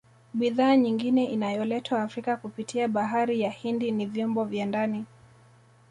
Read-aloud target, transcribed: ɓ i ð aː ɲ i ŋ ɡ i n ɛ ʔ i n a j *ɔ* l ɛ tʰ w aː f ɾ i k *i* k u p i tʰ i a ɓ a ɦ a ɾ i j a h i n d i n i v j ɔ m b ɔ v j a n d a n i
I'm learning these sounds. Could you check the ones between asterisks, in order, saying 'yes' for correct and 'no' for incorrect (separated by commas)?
yes, no